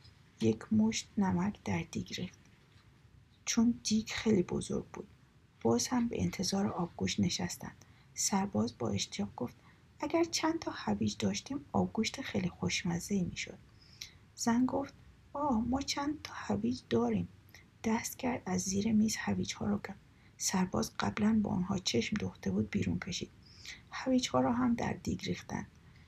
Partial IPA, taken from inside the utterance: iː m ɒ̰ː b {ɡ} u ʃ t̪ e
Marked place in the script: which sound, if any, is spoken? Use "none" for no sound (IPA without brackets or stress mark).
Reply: ɡ